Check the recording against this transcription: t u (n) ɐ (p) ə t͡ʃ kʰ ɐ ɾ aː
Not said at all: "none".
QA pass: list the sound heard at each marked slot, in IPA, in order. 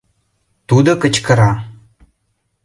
d, k

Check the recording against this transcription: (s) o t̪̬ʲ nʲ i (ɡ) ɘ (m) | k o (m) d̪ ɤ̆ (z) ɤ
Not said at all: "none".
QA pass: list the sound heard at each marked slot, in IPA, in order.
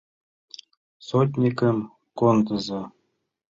s, k, m, n, z

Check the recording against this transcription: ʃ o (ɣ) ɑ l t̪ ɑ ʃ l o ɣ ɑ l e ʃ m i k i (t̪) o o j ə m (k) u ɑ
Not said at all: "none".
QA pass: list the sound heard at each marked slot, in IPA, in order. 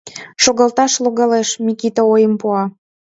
ɣ, t̪, p

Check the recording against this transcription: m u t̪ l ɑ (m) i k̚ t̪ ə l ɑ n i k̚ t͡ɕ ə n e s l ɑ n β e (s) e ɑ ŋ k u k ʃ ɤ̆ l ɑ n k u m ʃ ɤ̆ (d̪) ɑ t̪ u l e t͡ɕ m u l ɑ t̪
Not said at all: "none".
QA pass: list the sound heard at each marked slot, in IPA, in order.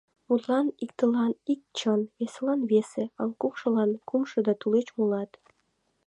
n, s, d̪

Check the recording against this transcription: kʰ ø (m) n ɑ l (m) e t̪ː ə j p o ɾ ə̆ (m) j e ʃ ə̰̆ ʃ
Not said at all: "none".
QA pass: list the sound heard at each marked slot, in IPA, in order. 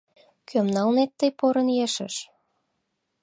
m, n, n

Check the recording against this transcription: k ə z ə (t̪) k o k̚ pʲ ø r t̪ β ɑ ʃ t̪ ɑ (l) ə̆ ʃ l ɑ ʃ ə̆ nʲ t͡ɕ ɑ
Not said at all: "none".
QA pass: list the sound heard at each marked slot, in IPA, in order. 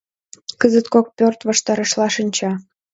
t̪, ɾ

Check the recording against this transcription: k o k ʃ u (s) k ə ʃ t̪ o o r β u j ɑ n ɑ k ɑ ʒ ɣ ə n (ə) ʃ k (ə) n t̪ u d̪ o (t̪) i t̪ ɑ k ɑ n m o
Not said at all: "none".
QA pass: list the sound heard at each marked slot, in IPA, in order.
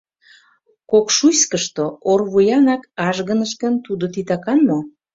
s, ə, ə, t̪

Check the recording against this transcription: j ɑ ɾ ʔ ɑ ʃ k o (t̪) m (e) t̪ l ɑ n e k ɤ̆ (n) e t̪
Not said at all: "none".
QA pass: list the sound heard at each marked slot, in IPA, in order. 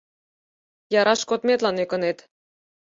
t̪, e, n

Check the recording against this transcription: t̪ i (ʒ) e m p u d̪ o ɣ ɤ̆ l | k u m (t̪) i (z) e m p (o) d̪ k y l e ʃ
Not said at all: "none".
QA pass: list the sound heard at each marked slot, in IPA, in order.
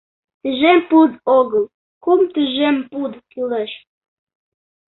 ʒ, t̪, ʒ, u

